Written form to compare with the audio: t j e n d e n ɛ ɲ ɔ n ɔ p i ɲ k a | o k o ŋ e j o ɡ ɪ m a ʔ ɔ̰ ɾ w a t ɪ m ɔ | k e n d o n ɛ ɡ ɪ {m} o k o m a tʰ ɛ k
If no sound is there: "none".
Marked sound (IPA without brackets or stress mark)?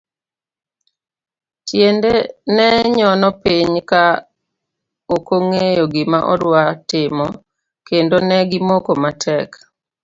m